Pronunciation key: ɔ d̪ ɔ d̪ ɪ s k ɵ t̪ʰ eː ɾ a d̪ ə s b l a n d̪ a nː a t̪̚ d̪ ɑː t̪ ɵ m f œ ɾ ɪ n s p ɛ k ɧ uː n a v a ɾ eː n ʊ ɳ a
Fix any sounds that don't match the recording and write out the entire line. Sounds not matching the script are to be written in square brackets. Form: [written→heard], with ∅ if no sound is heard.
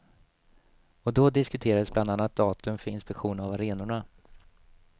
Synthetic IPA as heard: ɔ d̪ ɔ d̪ ɪ s k ɵ t̪ʰ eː ɾ a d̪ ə s b l a n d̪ a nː a t̪̚ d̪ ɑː t̪ ɵ m f œ ɾ ɪ n s p ɛ k ɧ uː n a v a ɾ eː n ʊ ɳ a